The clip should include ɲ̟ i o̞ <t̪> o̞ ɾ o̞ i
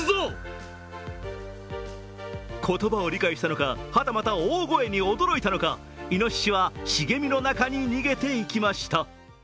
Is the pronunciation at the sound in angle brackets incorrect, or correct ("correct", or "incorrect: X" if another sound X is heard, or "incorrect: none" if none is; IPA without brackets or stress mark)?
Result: incorrect: d̪